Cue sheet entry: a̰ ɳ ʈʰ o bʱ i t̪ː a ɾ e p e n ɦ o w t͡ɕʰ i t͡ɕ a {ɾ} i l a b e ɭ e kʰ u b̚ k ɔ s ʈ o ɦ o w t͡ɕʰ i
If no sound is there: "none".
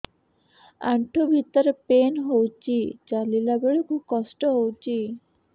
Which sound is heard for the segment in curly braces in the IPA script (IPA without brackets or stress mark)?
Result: l